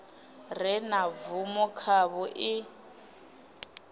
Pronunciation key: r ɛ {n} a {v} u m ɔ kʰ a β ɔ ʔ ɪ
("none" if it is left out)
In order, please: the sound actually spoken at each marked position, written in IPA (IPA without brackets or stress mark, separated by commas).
n, v